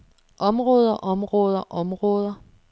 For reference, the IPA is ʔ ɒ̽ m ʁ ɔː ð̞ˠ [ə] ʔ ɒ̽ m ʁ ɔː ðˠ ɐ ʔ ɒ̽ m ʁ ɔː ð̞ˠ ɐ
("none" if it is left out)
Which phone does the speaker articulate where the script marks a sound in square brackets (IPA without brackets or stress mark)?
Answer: ɐ